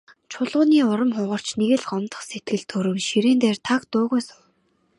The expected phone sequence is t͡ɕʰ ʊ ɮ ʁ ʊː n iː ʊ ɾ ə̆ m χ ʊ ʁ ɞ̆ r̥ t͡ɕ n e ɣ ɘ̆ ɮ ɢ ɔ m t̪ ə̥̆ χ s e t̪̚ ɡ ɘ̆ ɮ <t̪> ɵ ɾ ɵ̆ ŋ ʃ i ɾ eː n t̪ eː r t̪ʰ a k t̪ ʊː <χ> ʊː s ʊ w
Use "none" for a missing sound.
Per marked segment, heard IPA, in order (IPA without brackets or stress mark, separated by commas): t̪ʰ, ʁ